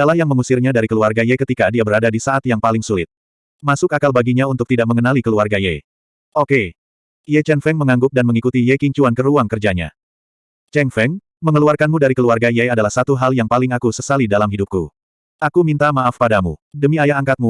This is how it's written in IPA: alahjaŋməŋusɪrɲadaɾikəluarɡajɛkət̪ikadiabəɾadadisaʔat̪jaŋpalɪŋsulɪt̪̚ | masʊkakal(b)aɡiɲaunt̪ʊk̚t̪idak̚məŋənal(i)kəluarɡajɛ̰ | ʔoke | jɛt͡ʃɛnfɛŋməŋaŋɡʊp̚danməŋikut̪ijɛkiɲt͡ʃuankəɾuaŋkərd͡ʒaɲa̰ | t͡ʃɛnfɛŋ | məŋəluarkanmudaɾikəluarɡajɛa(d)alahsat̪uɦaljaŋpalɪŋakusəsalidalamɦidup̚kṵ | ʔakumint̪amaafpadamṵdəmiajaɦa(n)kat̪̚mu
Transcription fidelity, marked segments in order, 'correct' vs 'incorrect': correct, correct, correct, incorrect: ŋ

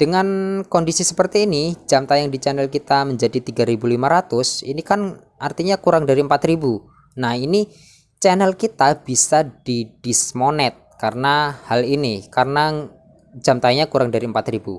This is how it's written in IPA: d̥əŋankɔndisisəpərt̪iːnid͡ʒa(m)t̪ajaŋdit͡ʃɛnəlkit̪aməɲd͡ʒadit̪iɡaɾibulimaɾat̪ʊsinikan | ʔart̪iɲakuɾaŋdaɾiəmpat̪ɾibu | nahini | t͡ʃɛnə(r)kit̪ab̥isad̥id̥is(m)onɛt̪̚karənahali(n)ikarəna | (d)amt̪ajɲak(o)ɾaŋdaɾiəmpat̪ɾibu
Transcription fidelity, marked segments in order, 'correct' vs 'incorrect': correct, incorrect: l, correct, correct, incorrect: d͡ʒ, incorrect: u

